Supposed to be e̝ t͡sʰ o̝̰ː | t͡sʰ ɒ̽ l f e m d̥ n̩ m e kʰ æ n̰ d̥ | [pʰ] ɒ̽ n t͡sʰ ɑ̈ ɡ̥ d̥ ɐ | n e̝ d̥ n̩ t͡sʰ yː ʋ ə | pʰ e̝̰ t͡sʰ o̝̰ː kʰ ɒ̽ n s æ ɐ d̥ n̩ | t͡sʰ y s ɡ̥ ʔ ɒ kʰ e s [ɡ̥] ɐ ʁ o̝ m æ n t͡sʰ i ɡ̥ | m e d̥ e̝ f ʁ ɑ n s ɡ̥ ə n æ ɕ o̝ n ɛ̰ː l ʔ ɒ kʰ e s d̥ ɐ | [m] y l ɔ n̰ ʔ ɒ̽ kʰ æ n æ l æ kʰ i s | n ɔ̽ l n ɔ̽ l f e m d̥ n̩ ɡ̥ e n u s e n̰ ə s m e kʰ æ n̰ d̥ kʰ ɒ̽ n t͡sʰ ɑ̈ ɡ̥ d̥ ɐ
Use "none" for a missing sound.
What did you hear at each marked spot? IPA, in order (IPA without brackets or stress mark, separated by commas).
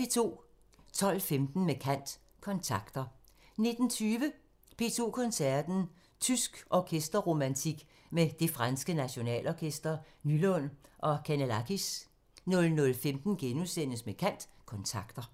kʰ, d̥, n